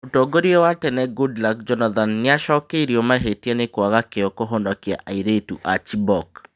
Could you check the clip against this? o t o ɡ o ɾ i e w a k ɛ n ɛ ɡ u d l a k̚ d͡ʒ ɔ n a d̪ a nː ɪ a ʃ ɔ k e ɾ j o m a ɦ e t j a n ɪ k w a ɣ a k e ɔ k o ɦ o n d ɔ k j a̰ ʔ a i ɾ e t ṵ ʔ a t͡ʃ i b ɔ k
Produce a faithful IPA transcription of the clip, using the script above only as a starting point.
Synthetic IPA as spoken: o t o ɡ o ɾ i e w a t ɛ n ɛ ɡ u d l a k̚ d͡ʒ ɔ n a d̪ a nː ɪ a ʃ ɔ k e ɾ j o m a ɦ e t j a n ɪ k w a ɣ a k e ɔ k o ɦ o n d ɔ k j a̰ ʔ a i ɾ e t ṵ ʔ a t͡ʃ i b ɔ k

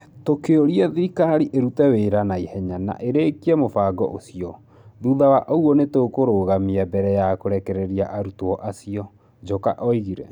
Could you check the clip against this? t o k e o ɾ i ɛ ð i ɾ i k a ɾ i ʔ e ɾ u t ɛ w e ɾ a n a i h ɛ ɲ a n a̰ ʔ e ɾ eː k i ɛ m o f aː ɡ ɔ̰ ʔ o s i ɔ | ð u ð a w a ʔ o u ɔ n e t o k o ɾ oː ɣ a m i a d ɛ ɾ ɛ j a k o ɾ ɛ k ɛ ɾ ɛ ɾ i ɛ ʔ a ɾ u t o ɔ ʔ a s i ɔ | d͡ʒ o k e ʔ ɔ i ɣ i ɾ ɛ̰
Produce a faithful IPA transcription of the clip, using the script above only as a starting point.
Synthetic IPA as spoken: t o k e o ɾ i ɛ ð i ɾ i k a ɾ i ʔ e ɾ u t ɛ w e ɾ a n a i h ɛ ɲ a n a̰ ʔ e ɾ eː k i ɛ m o f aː ɡ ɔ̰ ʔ o s i ɔ | ð u ð a w a ʔ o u ɔ n e t o k o ɾ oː ɣ a m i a b ɛ ɾ ɛ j a k o ɾ ɛ k ɛ ɾ ɛ ɾ i a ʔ a ɾ u t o ɔ ʔ a s i ɔ | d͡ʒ o k a ʔ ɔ i ɣ i ɾ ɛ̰

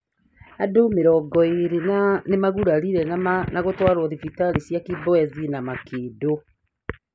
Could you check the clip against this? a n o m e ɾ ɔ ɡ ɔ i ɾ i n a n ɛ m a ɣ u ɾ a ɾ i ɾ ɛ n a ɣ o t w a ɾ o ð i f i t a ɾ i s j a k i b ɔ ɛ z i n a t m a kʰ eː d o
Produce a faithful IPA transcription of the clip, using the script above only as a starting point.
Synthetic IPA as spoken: a d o m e ɾ ɔ ɡ ɔ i ɾ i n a n e m a ɣ u ɾ a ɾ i ɾ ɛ n a ɣ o t w a ɾ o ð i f i t a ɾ i s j a k i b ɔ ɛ z i n a m a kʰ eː d o

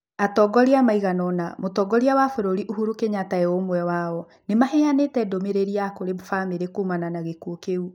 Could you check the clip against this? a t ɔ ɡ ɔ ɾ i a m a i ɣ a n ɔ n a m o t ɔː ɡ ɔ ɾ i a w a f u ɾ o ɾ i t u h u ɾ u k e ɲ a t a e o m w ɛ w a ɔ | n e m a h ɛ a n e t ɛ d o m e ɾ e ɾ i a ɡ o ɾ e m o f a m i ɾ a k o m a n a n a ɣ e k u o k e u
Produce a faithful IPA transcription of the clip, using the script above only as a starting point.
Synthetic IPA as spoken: a t ɔ ɡ ɔ ɾ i a m a i ɣ a n ɔ n a m o t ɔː ɡ ɔ ɾ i a w a f o ɾ o ɾ i ʔ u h u ɾ u k e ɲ a t a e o m w ɛ w a ɔ | n e m a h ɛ a n e t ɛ d o m e ɾ e ɾ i a k o ɾ e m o f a m e ɾ e k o m a n a n a ɣ e k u o k e u

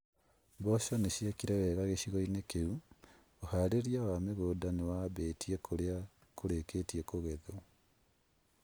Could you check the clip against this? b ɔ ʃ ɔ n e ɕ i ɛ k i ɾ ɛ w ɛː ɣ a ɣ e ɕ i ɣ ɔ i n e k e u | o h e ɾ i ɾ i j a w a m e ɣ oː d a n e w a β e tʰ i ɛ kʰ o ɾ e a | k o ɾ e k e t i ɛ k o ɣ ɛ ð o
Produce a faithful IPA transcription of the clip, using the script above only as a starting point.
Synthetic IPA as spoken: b ɔ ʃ ɔ n e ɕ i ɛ k i ɾ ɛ w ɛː ɣ a ɣ e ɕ i ɣ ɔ i n e k e u | o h a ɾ e ɾ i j a w a m e ɣ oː d a n e w a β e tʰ i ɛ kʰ o ɾ e a | k o ɾ e k e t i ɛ k o ɣ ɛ ð o

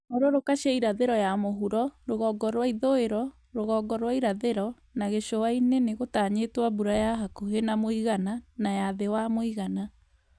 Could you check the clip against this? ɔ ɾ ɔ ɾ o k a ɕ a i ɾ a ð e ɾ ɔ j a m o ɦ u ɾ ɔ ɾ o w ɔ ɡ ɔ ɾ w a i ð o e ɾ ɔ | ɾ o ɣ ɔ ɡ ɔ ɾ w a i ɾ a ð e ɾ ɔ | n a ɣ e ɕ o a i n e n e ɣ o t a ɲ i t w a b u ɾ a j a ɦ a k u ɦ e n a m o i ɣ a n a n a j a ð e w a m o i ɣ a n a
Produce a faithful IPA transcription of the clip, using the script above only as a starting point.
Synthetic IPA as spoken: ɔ ɾ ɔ ɾ o k a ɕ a i ɾ a ð e ɾ ɔ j a m o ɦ u ɾ ɔ ɾ o ɣ ɔ ɡ ɔ ɾ w a i ð o e ɾ ɔ | ɾ o ɣ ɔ ɡ ɔ ɾ w a i ɾ a ð e ɾ ɔ | n a ɣ e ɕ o a i n e n e ɣ o t a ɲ e t w a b u ɾ a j a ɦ a k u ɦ e n a m o i ɣ a n a n a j a ð e w a m o i ɣ a n a

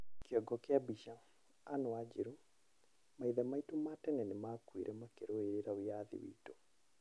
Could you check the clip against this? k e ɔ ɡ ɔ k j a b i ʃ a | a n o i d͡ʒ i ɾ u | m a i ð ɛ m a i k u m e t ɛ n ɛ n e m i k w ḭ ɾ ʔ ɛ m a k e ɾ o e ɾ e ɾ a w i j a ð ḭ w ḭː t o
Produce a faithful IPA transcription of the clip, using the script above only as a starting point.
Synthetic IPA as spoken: k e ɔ ɡ ɔ k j a b i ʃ a | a n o a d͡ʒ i ɾ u | m a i ð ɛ m a i t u m a t ɛ n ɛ n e m a k w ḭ ɾ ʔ ɛ m a k e ɾ o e ɾ e ɾ a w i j a ð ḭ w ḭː t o

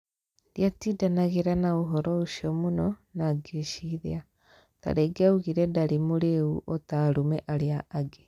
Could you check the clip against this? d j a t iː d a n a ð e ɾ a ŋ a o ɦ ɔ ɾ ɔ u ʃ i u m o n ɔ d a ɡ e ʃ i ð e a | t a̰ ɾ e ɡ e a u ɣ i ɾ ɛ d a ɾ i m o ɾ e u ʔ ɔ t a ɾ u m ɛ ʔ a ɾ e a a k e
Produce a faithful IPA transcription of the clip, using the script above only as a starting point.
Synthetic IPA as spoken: d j a t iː d a n a ɣ e ɾ a n a o ɦ ɔ ɾ ɔ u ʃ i ɔ m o n ɔ n a ɡ e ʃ i ð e a | t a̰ ɾ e ɡ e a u ɣ i ɾ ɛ d a ɾ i m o ɾ e u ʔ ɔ t a ɾ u m ɛ ʔ a ɾ e a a ɡ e

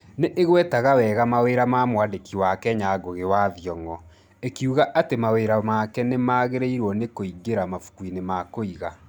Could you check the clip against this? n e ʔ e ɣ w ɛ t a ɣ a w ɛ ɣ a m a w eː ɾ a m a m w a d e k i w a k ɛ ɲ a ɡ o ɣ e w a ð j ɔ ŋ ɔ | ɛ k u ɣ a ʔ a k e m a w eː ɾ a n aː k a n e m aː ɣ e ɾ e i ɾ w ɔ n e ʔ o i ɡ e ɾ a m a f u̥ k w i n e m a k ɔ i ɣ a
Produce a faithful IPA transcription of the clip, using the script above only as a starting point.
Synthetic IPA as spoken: n e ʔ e ɣ w ɛ t a ɣ a w ɛ ɣ a m a w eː ɾ a m a m w a d e k i w a k ɛ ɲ a ɡ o ɣ e w a ð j ɔ ŋ ɔ | e k u ɣ a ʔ a t e m a w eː ɾ a m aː k ɛ n e m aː ɣ e ɾ e i ɾ w ɔ n e k o i ɡ e ɾ a m a f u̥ k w i n e m a k o i ɣ a

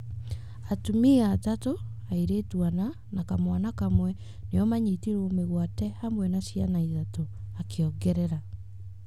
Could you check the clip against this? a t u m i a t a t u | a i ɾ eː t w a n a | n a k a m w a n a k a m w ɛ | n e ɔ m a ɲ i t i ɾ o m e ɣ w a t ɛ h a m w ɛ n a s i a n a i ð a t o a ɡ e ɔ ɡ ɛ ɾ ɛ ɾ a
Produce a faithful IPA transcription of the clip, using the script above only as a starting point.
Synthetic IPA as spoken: a t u m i a t a t o | a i ɾ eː t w a n a | n a k a m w a n a k a m w ɛ | n e ɔ m a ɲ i t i ɾ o m e ɣ w a t ɛ h a m w ɛ n a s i a n a i ð a t o a k e ɔ ɡ ɛ ɾ ɛ ɾ a

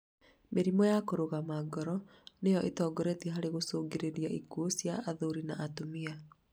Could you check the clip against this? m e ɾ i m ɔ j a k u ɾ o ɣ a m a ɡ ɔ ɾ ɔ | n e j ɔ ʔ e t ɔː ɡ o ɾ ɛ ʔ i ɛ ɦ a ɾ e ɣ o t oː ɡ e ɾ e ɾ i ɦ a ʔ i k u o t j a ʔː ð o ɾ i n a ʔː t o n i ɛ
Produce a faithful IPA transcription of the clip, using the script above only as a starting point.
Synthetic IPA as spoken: m e ɾ i m ɔ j a k o ɾ o ɣ a m a ɡ ɔ ɾ ɔ | n e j ɔ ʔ e t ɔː ɡ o ɾ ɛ t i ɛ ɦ a ɾ e ɣ o s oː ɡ e ɾ e ɾ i a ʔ i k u o s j a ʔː ð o ɾ i n a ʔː t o m i a

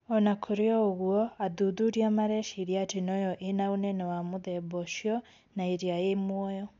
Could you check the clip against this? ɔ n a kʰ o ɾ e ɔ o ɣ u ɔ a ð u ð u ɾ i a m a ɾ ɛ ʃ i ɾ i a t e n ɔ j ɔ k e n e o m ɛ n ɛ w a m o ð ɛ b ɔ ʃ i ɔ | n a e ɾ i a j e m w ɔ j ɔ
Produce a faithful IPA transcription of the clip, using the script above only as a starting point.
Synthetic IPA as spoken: ɔ n a kʰ o ɾ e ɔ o ɣ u ɔ a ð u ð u ɾ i a m a ɾ ɛ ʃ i ɾ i a t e n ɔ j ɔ ʔ e n a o n ɛ n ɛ w a m o ð ɛ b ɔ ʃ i ɔ | n a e ɾ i a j e m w ɔ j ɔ

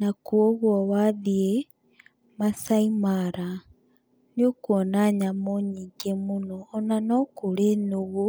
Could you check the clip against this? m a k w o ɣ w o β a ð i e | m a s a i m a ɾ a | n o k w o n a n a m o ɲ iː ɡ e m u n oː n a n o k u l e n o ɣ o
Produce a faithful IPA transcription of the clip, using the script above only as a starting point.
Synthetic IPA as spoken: n a k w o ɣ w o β a ð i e | m a s a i m a ɾ a | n o k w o n a ɲ a m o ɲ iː ɡ e m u n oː n a n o k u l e n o ɣ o

